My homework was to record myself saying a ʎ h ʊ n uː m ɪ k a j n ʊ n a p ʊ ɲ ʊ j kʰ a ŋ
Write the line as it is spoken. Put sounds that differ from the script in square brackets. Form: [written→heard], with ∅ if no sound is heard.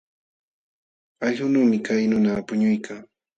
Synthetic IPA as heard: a ʎ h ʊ n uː m ɪ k a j n ʊ n a p ʊ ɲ ʊ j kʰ a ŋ